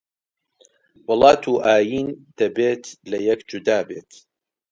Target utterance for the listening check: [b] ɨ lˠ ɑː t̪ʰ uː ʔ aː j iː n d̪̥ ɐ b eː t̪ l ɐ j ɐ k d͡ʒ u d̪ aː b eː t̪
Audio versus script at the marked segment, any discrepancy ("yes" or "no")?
yes